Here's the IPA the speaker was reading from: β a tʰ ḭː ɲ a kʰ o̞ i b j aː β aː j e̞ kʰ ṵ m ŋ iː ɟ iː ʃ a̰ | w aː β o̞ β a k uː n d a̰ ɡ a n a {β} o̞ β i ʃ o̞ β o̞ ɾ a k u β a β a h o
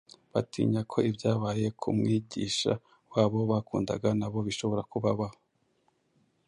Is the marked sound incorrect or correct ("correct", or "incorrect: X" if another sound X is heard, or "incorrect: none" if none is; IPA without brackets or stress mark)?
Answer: correct